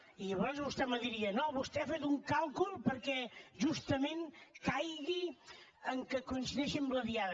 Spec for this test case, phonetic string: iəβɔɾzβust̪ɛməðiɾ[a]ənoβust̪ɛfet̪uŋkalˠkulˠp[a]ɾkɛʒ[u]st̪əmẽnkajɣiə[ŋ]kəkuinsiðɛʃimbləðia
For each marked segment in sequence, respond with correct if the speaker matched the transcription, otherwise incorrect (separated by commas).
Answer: incorrect, incorrect, correct, correct